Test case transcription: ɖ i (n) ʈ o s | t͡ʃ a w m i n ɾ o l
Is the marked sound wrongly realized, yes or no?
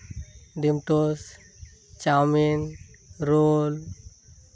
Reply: yes